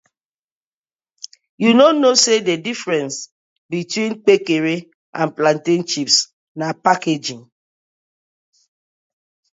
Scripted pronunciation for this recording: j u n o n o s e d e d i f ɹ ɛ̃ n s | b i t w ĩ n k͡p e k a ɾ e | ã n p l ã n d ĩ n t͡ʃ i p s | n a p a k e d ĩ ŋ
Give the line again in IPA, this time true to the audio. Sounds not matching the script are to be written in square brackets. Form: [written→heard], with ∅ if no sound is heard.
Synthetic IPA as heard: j u n o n o s e d e d i f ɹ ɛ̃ n s | b i t w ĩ n k͡p e k [a→e] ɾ e | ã n p l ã n [d→t] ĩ n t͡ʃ i p s | n a p a k e [d→d͡ʒ] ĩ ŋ